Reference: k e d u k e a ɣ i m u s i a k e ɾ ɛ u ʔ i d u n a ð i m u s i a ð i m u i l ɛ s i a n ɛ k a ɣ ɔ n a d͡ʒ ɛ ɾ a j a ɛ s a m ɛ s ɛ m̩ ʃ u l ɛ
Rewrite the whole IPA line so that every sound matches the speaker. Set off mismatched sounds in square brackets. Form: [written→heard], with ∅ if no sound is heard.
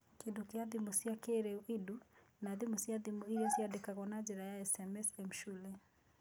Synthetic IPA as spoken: k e d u k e a [ɣ→ð] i m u s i a k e ɾ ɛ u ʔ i d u n a ð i m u s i a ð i m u i [l→ɾ] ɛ s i a [n→d] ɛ k a ɣ ɔ n a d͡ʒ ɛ ɾ a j a ɛ s [a→ɛ] m ɛ s ɛ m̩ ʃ u l ɛ